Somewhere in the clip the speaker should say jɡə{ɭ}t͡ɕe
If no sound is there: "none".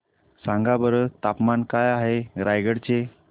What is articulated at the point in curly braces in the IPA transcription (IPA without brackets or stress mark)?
ɽ